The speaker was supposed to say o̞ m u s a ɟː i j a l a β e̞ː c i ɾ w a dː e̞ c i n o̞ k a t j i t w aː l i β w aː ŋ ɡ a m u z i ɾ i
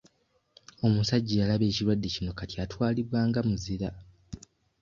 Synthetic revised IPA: o̞ m u s a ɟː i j a l a β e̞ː c i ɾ w a dː e̞ c i n o̞ k a t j a t w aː l i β w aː ŋ ɡ a m u z i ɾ a